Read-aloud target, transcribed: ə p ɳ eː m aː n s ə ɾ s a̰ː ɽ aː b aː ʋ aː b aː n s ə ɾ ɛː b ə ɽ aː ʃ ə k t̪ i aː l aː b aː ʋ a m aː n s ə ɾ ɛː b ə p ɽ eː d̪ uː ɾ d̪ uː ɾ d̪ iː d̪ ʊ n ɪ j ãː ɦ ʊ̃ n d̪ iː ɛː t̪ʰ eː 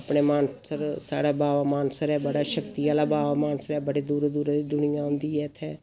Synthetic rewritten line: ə p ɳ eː m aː n s ə ɾ s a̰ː ɽ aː b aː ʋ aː m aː n s ə ɾ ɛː b ə ɽ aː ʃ ə k t̪ i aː l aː b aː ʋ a m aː n s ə ɾ ɛː b ə ɽ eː d̪ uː ɾ d̪ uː ɾ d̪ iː d̪ ʊ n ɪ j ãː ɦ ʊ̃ n d̪ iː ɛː t̪ʰ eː